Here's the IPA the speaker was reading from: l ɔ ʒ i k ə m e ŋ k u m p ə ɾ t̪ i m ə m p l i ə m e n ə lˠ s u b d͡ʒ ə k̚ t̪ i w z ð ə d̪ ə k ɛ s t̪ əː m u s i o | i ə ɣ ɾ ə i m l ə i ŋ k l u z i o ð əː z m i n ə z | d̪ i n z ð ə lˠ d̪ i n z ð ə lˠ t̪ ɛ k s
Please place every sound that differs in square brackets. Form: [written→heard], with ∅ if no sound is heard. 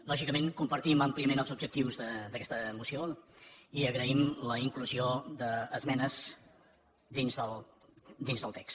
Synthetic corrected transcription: l ɔ ʒ i k ə m e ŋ k u m p ə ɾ t̪ i m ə m p l i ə m e n ə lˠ [s→z] u b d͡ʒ ə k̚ t̪ i w z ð ə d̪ ə k ɛ s t̪ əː m u s i o | i ə ɣ ɾ ə i m l ə i ŋ k l u z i o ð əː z m [i→ɛ] n ə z | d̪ i n z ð ə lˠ d̪ i n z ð ə lˠ t̪ ɛ k s